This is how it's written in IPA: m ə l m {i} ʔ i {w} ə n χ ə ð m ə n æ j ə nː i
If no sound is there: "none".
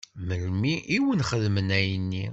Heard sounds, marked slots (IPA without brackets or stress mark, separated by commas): i, w